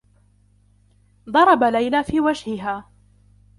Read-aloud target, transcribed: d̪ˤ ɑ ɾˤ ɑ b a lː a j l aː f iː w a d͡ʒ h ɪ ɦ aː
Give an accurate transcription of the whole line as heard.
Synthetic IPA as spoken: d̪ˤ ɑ ɾˤ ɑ b a l a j l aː f iː w a d͡ʒ h ɪ ɦ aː